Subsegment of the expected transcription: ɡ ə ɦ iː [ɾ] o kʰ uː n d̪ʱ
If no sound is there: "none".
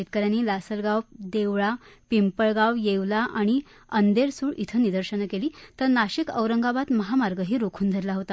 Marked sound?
ɾ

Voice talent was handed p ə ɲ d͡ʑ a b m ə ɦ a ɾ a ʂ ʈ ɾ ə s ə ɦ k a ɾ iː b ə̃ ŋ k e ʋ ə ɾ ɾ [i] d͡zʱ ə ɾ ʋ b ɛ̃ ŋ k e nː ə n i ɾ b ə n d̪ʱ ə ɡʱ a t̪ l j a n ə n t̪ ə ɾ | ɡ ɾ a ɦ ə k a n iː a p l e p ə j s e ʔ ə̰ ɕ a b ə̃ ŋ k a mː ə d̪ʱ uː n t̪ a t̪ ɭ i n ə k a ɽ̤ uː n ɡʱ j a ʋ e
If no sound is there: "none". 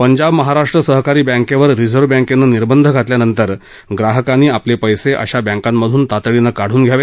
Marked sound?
i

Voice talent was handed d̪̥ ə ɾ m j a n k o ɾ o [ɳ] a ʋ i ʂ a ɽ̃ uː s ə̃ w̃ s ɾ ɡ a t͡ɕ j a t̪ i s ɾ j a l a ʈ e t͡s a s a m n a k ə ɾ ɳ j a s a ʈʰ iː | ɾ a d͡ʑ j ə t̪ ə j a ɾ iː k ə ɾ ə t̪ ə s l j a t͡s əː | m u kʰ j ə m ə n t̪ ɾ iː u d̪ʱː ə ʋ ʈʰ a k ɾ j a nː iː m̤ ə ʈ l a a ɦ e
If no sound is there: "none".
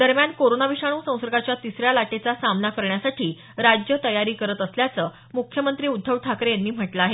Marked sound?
n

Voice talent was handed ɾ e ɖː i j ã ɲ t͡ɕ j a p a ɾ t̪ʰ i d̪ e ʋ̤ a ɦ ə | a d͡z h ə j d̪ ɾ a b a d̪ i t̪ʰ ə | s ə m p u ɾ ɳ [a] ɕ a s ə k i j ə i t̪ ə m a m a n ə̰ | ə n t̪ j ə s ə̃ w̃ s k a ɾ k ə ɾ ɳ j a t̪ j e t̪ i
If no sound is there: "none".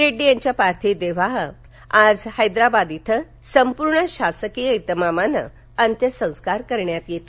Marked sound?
ə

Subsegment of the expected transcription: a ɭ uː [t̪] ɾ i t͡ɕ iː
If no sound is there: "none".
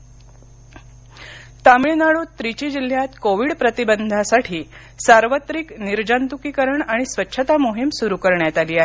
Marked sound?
t̪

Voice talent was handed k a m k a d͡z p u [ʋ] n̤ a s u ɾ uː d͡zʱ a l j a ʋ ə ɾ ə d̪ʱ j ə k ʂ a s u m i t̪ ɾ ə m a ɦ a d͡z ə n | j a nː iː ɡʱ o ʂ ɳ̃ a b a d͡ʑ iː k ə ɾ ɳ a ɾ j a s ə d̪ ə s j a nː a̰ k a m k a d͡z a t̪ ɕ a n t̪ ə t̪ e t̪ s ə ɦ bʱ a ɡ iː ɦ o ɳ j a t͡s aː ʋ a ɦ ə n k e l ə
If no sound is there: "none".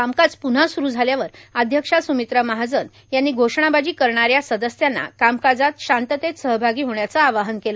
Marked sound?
none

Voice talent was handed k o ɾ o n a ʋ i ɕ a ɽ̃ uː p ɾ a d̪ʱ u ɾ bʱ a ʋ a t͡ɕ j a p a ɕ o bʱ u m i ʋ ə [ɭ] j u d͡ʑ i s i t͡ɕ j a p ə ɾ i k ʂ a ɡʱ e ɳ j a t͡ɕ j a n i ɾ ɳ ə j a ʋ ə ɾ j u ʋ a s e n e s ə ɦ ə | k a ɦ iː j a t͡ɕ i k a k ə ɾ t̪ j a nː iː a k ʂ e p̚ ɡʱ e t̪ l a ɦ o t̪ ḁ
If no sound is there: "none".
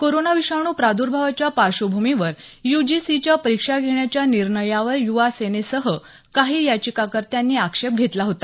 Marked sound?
ɾ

